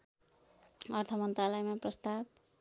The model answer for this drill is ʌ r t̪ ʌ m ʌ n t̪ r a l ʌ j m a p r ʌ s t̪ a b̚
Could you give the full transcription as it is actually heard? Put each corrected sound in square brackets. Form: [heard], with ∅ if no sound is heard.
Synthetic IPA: ʌ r [t̪ʰ] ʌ m ʌ n t̪ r a l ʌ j m a p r ʌ s t̪ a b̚